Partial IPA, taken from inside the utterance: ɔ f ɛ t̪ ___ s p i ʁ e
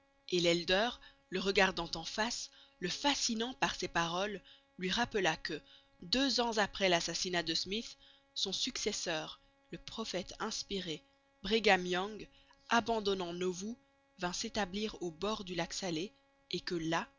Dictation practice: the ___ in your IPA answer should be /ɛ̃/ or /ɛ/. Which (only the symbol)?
ɛ̃